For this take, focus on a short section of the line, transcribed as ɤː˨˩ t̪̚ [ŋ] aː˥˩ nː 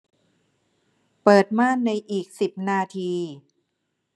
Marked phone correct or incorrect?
incorrect